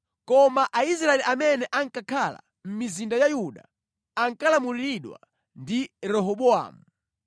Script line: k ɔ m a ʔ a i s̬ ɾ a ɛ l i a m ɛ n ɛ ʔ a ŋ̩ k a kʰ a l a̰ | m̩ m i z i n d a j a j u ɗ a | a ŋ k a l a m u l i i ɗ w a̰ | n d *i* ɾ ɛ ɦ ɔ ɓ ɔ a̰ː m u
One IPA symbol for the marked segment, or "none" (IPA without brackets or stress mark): i